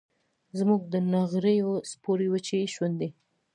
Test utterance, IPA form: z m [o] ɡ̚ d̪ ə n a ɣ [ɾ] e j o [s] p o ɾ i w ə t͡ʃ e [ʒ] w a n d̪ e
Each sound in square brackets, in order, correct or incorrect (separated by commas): incorrect, correct, correct, incorrect